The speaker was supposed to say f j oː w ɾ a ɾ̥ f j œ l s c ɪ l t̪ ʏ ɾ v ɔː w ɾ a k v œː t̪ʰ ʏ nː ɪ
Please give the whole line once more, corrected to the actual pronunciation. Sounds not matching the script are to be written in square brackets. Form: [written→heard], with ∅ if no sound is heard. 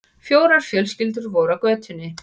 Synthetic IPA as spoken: f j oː w ɾ a ɾ̥ f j œ l s c ɪ l t̪ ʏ ɾ v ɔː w ɾ a k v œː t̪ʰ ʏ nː ɪ